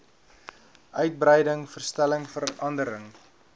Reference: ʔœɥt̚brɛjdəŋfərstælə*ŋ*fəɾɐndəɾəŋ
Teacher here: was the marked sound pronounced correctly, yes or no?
yes